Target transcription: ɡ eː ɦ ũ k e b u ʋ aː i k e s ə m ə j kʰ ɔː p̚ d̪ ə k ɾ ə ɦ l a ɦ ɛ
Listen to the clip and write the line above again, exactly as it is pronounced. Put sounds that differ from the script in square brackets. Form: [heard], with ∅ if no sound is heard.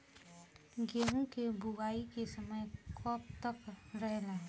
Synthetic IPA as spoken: ɡ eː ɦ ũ k e b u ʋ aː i k e s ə m ə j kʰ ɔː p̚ [t̪] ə k ɾ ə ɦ l a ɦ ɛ